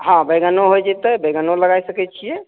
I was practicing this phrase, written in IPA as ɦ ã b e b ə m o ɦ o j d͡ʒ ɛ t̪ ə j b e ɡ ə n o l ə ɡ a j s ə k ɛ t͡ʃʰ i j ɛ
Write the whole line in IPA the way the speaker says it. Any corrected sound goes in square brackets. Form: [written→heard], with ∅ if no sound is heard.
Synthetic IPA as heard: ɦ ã b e [b→ɡ] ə [m→n] o ɦ o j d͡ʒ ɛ t̪ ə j b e ɡ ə n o l ə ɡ a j s ə k ɛ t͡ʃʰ i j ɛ